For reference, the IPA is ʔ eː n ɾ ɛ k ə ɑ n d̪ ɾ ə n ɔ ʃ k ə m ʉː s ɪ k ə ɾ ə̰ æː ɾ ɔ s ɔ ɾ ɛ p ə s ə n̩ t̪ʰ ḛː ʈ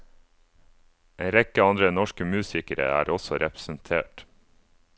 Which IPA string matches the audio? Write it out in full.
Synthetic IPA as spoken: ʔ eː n ɾ ɛ k ə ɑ n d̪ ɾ ə n ɔ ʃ k ə m ʉː s ɪ k ə ɾ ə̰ æː ɾ ɔ s ɔ ɾ ɛ p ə s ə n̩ t̪ʰ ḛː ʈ